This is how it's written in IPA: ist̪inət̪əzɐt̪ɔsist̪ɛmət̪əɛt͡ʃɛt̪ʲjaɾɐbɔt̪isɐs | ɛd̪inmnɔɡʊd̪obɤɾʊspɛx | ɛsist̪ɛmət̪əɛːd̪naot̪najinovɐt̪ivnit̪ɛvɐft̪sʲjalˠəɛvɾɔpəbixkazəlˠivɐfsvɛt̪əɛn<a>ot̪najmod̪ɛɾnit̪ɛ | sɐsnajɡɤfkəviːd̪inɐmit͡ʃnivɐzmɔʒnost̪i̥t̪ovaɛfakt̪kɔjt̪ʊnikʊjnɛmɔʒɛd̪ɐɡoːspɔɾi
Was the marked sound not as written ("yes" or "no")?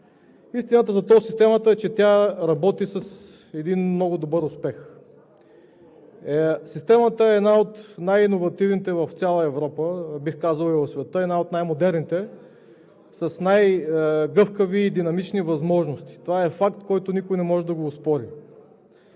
no